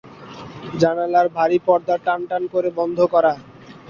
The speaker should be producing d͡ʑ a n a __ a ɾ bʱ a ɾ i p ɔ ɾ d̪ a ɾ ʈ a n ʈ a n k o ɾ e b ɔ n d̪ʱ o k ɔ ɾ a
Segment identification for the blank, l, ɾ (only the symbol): l